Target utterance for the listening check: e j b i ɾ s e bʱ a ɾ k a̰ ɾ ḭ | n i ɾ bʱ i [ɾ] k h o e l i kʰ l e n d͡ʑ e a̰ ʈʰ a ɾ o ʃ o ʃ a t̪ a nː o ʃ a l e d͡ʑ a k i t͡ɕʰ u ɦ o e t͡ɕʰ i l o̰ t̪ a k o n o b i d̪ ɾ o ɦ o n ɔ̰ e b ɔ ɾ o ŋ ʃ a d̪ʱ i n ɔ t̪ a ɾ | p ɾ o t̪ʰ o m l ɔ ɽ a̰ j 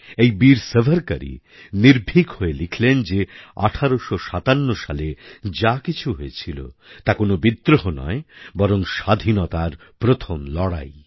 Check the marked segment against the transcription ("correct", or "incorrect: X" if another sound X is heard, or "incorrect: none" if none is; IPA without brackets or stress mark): incorrect: none